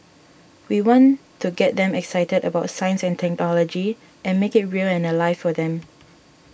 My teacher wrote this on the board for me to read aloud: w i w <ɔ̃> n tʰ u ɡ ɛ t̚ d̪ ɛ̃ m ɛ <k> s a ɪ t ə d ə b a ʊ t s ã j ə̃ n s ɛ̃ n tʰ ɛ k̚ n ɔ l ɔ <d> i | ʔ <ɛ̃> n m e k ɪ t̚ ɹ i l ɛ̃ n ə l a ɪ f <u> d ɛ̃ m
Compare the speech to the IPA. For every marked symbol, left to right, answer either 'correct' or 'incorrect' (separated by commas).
correct, correct, incorrect, correct, incorrect